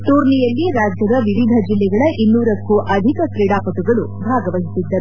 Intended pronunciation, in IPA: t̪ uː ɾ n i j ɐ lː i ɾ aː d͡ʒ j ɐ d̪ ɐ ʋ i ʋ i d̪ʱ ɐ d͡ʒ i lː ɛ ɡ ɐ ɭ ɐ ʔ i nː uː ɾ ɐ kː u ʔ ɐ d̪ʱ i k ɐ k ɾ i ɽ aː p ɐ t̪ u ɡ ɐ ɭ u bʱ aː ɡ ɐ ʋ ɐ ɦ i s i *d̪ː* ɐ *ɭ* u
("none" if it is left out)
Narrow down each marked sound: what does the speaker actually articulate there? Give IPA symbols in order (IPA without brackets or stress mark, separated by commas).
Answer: d̪ː, ɾ